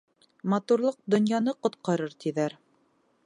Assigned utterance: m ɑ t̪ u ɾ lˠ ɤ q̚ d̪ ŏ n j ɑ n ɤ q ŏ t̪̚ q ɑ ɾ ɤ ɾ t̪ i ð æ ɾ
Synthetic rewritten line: m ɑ t̪ u ɾ lˠ ɤ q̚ d̪ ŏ n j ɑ n ɤ q ŏ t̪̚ q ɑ ɾ ɤ ɾ t̪ i ð æ ɾ